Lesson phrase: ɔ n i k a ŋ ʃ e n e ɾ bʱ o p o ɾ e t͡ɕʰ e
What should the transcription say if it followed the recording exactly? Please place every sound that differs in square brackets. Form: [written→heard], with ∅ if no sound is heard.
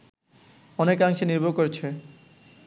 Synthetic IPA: ɔ n [i→e] k a ŋ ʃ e n [e→i] ɾ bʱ o [p→k] o ɾ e t͡ɕʰ e